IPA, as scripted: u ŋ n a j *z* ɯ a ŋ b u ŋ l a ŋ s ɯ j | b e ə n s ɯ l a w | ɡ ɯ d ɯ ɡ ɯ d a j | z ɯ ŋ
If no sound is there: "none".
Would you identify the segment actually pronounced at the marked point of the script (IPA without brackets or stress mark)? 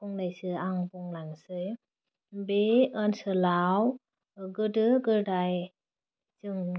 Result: s